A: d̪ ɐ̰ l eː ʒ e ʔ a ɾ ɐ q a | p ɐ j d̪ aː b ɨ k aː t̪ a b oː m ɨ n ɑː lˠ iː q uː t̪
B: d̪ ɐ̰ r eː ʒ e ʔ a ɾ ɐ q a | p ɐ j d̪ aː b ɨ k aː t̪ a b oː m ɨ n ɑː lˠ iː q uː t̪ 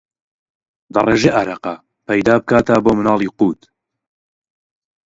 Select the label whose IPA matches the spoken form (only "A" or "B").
B